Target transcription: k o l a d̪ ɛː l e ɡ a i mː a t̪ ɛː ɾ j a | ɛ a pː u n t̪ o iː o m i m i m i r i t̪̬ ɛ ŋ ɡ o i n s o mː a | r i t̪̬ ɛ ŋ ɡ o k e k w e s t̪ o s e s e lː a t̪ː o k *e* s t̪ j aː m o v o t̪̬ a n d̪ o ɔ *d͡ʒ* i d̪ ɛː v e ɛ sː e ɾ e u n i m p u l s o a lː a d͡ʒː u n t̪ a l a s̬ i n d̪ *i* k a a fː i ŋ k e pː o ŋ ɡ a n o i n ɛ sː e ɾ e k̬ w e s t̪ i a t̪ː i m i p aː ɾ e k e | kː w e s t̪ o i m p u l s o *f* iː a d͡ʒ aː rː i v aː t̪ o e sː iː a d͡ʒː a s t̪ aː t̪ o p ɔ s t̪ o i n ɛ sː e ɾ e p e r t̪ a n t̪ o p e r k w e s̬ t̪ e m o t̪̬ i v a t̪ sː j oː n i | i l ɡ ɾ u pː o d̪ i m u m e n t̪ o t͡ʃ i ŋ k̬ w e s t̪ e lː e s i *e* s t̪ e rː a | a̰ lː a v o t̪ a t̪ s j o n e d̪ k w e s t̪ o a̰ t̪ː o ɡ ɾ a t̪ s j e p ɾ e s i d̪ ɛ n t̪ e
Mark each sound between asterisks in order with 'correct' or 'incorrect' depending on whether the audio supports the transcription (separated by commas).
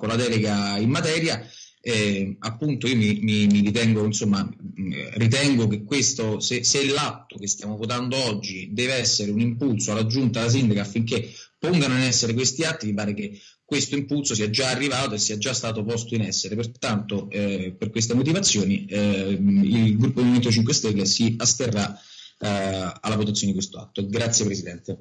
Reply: correct, incorrect, incorrect, incorrect, incorrect